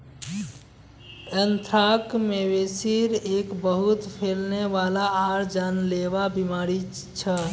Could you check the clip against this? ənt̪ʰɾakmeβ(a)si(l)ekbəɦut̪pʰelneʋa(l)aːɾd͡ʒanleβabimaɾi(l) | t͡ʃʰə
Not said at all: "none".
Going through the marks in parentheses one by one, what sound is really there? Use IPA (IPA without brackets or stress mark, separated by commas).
e, ɾ, l, none